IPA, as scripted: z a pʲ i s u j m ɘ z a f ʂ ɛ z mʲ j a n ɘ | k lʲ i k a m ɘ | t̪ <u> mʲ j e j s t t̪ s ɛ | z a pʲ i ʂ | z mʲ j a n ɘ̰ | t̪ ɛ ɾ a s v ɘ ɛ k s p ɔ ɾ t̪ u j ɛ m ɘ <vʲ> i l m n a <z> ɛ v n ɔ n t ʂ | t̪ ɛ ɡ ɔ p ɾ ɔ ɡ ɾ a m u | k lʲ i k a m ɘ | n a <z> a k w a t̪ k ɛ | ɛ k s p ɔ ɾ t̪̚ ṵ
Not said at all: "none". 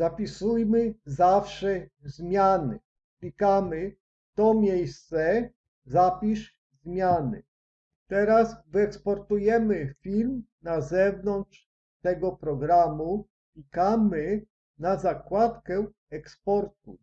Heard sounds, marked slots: ɔ, fʲ, z, z

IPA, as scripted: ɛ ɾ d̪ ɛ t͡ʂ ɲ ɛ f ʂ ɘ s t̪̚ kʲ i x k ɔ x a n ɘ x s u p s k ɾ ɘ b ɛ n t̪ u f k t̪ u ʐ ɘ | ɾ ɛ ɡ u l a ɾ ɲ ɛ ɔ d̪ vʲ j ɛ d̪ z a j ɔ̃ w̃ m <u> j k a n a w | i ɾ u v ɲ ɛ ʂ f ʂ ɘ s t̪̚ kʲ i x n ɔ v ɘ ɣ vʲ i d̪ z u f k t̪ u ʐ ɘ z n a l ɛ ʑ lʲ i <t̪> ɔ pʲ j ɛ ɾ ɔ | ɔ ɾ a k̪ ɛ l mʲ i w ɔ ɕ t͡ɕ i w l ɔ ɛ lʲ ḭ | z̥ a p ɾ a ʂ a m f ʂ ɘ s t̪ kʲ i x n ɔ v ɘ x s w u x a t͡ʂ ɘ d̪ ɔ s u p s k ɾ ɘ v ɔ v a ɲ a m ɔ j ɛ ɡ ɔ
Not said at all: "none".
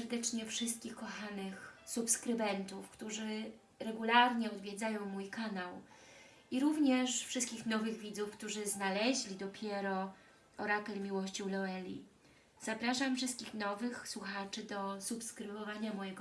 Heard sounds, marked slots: u, d̪

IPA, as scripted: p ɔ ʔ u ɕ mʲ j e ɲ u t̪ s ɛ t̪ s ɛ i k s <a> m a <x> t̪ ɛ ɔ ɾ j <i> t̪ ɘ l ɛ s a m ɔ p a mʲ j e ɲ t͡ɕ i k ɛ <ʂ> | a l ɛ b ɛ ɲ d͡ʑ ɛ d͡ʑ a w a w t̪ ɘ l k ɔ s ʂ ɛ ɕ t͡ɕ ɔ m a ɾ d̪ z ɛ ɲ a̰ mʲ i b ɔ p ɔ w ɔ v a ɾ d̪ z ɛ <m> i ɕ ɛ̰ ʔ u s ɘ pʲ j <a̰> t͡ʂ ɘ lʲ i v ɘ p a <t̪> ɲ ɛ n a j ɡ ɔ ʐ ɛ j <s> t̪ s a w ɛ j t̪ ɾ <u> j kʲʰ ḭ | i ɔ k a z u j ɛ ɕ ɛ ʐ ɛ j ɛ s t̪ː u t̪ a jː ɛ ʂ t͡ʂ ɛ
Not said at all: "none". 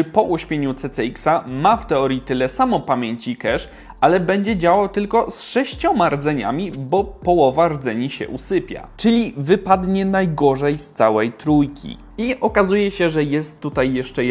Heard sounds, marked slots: a, f, i, ʂ, ɲ, a̰, d̪, s, u

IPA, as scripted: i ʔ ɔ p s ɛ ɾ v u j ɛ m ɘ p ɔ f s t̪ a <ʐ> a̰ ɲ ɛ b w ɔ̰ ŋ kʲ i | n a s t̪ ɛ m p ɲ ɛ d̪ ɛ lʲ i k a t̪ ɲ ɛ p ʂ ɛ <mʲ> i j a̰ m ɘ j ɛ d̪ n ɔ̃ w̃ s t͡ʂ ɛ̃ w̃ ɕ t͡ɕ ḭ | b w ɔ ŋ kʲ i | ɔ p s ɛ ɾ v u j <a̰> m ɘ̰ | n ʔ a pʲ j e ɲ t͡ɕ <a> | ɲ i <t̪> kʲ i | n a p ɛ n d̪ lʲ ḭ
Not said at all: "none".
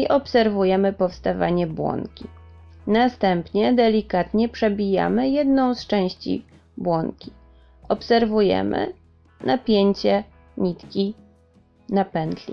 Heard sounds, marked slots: v, bʲ, ɛ̰, ɛ, t̪

